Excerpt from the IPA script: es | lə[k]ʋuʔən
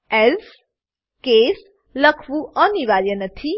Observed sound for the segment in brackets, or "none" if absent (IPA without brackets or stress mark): kʰ